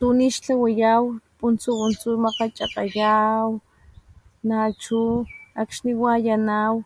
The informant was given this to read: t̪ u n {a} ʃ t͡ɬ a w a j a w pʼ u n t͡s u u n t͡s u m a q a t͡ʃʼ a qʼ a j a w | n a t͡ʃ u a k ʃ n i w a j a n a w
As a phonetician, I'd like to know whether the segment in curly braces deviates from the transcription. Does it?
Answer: yes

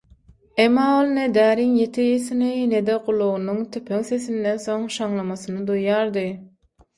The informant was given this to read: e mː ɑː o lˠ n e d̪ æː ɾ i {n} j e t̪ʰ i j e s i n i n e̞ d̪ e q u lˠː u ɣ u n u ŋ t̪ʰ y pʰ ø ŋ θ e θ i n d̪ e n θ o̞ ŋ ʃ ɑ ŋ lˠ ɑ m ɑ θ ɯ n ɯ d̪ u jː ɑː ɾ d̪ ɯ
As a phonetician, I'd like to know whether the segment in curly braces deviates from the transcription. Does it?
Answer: yes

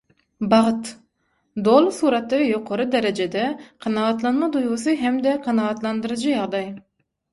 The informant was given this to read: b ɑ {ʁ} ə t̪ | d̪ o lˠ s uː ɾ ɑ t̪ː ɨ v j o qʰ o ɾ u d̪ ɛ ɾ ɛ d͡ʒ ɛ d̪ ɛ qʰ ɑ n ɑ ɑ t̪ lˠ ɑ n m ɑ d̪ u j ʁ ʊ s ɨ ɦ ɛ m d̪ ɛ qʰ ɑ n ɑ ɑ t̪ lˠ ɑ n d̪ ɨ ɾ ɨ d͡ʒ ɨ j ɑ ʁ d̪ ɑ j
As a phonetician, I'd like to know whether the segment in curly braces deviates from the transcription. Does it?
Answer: no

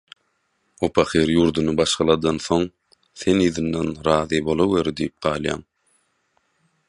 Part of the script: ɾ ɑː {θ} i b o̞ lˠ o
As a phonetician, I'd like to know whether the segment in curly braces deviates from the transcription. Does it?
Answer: yes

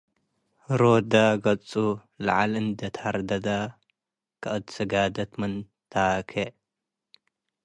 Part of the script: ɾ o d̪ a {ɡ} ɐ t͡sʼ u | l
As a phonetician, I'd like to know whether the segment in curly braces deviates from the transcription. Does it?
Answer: no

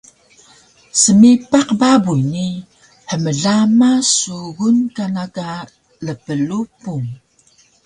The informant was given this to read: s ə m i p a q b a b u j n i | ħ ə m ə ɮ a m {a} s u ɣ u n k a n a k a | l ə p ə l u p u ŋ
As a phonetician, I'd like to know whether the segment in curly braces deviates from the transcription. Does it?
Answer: no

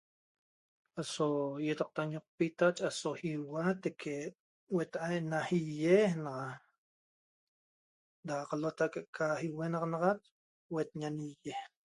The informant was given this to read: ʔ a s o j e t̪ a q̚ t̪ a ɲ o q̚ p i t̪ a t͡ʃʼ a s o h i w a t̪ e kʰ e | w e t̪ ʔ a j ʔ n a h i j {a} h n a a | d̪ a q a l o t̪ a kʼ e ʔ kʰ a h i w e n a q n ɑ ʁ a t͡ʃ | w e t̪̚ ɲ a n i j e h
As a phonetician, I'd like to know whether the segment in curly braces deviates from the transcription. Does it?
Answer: yes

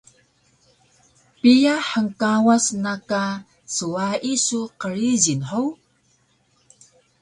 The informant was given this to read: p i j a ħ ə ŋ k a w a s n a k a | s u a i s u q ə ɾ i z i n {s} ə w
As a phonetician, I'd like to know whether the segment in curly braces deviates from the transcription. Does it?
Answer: yes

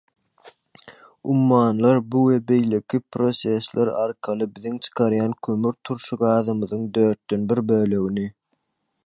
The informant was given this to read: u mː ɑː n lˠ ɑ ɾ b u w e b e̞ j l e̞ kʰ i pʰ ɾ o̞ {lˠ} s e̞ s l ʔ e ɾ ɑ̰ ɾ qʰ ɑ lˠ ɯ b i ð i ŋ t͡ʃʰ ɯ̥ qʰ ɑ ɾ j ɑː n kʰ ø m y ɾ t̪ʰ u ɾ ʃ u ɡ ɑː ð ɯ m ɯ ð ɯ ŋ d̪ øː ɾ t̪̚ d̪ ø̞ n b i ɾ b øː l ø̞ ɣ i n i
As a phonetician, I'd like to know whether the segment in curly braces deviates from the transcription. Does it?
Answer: yes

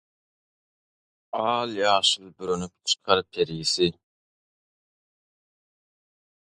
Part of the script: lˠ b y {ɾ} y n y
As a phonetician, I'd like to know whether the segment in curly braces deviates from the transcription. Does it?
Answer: no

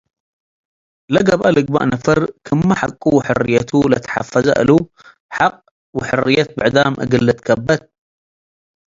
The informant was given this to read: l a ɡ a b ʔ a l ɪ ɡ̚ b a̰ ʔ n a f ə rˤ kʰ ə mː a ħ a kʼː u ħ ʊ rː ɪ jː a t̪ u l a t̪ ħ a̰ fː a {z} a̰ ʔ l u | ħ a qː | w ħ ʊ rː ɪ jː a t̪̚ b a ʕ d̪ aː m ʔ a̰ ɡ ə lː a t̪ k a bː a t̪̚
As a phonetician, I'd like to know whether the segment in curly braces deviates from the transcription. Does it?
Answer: no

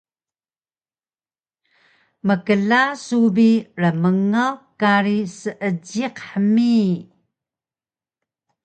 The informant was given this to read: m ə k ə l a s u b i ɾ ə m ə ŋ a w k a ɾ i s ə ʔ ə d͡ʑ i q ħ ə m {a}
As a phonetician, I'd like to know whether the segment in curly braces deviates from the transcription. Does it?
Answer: yes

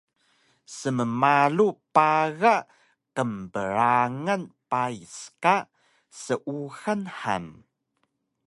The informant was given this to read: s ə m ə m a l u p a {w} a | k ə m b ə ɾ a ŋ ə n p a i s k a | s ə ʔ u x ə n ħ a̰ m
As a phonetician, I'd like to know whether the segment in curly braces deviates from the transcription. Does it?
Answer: yes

